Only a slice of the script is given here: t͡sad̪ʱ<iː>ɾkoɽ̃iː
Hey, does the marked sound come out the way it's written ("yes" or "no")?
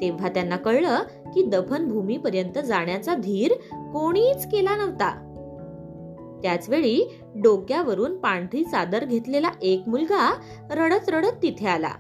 yes